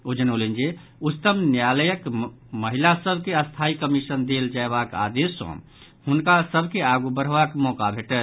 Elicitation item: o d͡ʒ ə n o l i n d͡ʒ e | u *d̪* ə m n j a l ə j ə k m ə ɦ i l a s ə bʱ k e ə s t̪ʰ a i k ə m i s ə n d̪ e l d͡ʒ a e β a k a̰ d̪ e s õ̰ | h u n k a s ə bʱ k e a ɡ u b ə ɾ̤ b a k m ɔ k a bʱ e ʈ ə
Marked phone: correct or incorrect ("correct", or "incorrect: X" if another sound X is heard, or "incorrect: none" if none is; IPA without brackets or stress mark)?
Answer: incorrect: t̪